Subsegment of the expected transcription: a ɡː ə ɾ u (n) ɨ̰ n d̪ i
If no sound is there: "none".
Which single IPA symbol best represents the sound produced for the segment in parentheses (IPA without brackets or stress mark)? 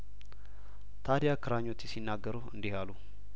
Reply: none